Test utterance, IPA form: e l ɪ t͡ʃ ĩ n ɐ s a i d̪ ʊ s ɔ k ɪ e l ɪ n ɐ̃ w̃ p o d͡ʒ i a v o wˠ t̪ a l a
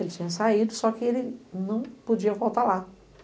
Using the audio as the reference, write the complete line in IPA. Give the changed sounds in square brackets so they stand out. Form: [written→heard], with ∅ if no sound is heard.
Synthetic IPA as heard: e l ɪ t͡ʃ ĩ [n→ɲ] ɐ s a i d̪ ʊ s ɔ k ɪ e l ɪ n ɐ̃ w̃ p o d͡ʒ i [a→ɐ] v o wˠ t̪ a l a